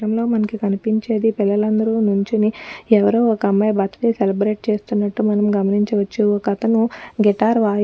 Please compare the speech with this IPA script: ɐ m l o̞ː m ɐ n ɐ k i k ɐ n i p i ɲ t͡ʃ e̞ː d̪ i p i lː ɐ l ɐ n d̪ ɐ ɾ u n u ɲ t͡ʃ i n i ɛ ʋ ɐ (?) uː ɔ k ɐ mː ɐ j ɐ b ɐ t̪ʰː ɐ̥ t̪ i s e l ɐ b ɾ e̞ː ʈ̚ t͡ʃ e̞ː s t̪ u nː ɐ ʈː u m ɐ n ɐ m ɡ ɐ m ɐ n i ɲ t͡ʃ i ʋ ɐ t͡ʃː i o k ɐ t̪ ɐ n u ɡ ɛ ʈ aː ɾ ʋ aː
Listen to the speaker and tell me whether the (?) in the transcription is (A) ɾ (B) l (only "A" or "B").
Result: A